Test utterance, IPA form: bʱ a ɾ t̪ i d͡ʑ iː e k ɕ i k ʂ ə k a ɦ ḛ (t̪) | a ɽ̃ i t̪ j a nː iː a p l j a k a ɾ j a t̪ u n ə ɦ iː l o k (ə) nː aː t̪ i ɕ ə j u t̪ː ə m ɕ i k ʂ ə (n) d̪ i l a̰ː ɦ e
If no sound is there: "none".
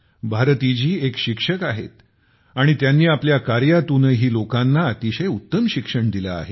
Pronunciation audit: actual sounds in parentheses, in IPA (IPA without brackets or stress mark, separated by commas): t̪, a, ɳ